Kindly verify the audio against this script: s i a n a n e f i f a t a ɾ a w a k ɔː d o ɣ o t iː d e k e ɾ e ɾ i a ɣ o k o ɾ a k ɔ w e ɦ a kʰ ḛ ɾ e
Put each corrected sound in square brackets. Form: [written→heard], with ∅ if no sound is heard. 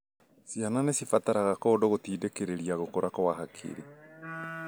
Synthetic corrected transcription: s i a n a n e [f→s] i f a t a ɾ a [w→ɣ] a k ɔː d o ɣ o t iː d e k e ɾ e ɾ i a ɣ o k o ɾ a k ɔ w [e→a] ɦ a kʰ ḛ ɾ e